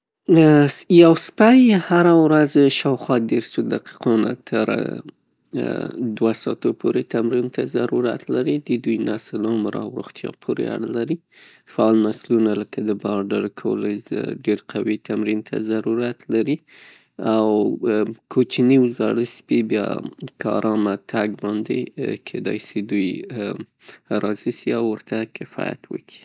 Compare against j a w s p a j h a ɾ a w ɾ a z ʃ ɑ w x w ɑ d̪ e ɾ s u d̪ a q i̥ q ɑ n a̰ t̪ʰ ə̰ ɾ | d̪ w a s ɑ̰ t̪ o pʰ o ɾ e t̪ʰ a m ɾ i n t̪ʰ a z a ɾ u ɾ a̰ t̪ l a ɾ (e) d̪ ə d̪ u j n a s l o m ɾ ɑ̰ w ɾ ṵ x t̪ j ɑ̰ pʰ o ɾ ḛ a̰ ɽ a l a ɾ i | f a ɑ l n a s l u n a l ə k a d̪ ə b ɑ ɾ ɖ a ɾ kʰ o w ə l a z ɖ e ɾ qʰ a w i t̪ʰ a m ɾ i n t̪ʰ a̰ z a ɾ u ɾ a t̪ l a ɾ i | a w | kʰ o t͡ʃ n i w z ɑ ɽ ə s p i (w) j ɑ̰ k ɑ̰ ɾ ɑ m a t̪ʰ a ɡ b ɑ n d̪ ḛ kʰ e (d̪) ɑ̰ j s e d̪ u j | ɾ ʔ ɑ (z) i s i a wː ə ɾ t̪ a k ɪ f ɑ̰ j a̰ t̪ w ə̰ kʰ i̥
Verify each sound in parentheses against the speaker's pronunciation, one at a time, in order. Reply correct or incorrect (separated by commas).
incorrect, incorrect, correct, correct